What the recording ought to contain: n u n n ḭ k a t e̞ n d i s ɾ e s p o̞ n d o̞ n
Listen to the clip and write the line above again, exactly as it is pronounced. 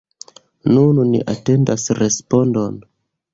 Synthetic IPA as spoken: n u n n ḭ ʔ a t e̞ n d a s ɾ e s p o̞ n d o̞ n